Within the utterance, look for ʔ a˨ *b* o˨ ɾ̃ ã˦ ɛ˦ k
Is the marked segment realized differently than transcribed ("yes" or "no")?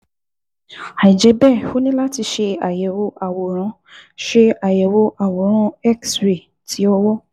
yes